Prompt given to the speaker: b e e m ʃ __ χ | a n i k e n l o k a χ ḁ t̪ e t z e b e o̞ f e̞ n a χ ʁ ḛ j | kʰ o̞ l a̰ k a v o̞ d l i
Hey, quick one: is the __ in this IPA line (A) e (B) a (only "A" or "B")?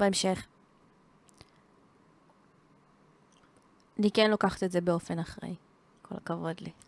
A